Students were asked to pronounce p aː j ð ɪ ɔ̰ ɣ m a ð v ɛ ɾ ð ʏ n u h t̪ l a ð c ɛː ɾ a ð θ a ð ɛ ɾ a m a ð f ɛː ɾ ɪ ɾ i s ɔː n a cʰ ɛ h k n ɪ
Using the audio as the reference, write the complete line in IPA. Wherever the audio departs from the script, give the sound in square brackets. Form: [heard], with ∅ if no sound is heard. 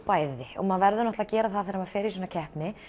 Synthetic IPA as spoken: p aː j ð ɪ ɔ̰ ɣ m a ð v ɛ ɾ ð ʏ n [ɔ] h t̪ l a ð c ɛː ɾ a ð θ a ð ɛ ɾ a m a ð f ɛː ɾ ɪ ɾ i s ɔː n a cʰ ɛ h [p] n ɪ